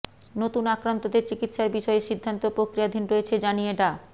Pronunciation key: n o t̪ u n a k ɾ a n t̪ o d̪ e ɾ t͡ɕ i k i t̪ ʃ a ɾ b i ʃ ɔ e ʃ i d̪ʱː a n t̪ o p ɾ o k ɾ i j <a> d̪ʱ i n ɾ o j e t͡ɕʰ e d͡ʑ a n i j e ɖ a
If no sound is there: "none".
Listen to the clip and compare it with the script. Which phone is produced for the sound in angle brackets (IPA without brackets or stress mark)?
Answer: a